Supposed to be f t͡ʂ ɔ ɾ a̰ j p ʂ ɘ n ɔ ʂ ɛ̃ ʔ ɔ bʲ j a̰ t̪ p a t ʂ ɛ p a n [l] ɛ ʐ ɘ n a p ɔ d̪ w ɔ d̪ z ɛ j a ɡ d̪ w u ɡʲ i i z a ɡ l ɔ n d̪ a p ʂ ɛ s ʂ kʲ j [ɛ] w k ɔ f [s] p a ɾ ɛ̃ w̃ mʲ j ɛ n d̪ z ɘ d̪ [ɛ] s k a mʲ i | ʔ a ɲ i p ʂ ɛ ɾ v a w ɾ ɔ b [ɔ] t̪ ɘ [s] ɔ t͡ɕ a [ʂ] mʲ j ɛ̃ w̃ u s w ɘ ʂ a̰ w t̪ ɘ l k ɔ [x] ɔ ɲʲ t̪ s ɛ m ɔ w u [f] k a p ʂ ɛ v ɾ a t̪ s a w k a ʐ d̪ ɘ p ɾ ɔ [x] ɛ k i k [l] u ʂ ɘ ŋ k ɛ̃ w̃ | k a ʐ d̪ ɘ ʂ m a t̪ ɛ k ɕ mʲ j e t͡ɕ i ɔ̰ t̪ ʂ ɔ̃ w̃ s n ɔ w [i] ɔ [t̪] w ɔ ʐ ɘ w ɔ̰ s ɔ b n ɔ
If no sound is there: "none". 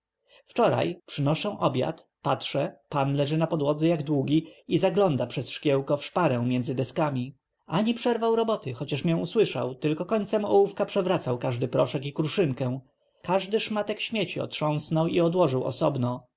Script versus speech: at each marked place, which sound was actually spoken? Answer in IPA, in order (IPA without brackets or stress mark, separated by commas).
l, ɛ, ʂ, ɛ, ɔ, x, ʂ, k, f, ʂ, ɾ, i, d̪